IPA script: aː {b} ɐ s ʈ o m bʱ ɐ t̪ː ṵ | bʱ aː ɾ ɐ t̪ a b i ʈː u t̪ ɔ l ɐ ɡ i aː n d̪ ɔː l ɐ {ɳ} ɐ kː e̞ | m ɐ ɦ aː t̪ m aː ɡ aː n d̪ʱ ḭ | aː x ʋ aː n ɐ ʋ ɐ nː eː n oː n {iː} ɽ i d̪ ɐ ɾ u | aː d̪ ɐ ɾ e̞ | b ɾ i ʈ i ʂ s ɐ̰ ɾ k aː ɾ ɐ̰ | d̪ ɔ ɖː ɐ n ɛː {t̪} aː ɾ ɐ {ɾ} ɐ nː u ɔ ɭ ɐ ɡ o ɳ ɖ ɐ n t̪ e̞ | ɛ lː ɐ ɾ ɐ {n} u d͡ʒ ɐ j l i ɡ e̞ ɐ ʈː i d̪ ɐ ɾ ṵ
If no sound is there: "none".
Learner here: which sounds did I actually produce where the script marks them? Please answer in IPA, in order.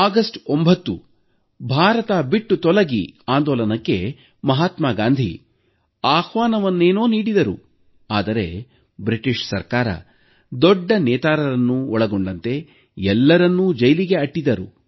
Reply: ɡ, n, iː, t̪, ɾ, nː

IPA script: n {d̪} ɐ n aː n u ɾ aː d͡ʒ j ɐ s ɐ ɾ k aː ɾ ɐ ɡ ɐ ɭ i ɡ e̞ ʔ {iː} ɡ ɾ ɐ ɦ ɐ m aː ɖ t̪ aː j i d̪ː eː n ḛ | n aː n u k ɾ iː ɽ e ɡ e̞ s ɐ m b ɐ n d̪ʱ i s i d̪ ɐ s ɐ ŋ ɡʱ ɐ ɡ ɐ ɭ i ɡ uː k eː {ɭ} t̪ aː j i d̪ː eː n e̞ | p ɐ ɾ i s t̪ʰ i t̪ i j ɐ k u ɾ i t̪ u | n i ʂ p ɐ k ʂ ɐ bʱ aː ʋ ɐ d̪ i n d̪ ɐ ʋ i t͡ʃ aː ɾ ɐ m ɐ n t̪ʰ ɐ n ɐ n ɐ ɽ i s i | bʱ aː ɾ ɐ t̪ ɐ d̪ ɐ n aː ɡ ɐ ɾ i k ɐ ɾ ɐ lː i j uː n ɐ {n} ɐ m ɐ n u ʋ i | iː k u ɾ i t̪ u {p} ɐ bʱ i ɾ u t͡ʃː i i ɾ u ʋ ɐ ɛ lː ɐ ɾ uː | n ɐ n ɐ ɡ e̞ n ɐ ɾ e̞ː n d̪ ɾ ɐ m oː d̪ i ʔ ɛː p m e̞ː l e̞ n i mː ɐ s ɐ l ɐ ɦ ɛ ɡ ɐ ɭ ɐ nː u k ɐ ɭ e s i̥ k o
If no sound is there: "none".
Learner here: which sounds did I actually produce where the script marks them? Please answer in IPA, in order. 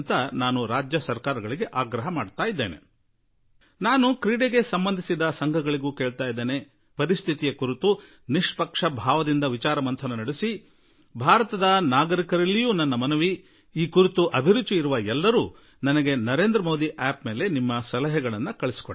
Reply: t̪, aː, ɭ, nː, ʔ

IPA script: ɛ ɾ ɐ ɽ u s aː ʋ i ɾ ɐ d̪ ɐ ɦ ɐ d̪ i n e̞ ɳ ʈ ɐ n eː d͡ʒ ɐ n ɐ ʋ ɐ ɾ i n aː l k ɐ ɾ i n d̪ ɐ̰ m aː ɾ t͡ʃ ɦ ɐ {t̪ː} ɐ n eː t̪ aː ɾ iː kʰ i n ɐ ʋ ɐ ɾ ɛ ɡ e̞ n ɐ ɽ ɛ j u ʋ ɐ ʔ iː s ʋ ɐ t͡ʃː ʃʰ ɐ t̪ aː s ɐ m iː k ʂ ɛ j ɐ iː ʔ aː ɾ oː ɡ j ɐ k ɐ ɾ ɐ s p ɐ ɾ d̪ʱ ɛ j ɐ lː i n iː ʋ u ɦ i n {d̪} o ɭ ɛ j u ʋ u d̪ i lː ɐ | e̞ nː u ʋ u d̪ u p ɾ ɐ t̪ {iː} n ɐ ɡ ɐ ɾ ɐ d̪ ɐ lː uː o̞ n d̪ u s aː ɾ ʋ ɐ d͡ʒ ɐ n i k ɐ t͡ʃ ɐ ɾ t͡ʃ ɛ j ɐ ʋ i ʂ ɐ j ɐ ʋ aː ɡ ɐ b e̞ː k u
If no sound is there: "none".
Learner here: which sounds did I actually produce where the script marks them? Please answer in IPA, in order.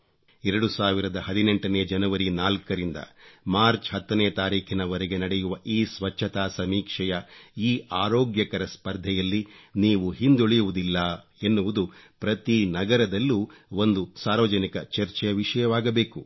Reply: t̪ː, d̪, i

